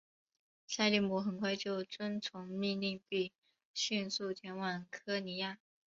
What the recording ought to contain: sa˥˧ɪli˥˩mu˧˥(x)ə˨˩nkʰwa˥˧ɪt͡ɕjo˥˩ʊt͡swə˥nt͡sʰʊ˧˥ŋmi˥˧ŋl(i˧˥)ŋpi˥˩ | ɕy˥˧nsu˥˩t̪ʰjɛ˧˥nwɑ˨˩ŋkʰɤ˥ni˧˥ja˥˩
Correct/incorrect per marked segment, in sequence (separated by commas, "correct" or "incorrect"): correct, incorrect